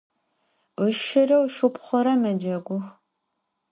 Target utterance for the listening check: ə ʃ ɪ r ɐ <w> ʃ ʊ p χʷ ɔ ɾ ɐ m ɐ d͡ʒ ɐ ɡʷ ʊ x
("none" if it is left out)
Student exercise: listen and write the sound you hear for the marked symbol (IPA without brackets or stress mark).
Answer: w